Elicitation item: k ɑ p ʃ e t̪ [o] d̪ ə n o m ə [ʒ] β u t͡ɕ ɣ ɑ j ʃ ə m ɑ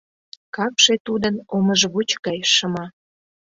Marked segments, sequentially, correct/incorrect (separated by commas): incorrect, correct